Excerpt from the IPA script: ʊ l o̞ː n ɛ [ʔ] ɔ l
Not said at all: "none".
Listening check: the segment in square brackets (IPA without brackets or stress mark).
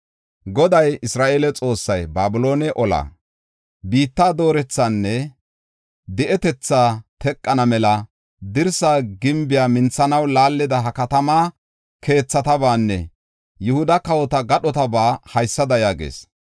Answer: ʔ